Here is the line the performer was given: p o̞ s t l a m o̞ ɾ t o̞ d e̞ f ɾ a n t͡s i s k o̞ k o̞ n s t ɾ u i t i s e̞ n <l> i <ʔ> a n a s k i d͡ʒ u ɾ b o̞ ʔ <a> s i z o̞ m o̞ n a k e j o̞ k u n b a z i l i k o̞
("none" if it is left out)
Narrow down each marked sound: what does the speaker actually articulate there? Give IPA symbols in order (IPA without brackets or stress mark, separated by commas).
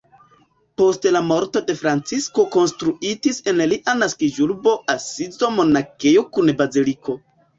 l, ʔ, a